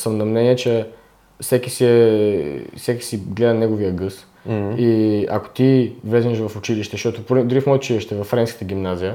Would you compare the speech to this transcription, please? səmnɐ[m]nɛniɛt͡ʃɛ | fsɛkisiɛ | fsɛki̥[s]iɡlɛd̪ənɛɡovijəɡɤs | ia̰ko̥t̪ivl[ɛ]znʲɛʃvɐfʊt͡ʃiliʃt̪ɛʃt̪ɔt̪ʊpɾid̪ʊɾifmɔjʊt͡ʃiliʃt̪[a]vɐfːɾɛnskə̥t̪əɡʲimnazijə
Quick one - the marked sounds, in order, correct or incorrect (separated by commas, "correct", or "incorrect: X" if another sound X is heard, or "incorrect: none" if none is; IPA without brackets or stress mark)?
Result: correct, correct, correct, incorrect: ɛ